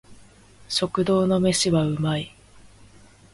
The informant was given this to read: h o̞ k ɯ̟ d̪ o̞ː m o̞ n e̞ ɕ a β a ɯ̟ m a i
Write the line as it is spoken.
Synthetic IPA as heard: ɕ o̞ k ɯ̟ d̪ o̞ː n o̞ m e̞ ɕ i β a ɯ̟ m a i